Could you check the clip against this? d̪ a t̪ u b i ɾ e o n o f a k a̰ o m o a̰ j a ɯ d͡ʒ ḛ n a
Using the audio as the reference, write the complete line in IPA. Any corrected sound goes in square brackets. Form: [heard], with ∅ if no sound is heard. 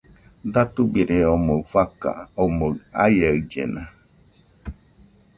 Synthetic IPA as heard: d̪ a t̪ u b i ɾ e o [m] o f a k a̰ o m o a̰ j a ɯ d͡ʒ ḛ n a